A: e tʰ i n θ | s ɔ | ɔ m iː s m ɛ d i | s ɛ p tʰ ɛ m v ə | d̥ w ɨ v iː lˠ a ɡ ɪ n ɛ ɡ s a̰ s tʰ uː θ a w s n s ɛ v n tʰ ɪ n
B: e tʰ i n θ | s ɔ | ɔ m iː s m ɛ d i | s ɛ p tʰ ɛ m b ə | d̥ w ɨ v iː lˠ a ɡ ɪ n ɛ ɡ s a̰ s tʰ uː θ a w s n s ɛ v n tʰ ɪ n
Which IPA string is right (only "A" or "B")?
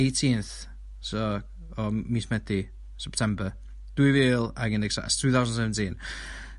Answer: B